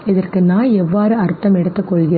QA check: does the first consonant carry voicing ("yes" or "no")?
yes